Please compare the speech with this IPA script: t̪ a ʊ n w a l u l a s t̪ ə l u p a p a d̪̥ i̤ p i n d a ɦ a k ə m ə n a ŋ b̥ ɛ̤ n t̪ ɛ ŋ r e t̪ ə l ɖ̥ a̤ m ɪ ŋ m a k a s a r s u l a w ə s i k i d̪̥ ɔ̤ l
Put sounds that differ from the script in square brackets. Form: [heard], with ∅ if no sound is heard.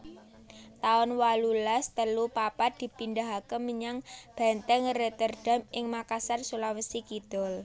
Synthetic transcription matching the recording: t̪ a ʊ n w a l u l a s t̪ ə l u p a p a d̪̥ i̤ p i n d a ɦ a k ə m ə [ɲ] a ŋ b̥ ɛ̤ n t̪ ɛ ŋ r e t̪ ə [r] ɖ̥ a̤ m ɪ ŋ m a k a s a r s u l a w ə s i k i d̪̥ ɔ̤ l